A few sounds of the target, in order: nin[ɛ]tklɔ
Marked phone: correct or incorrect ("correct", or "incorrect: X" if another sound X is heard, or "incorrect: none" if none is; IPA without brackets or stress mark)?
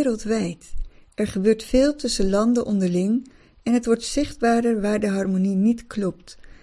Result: incorrect: i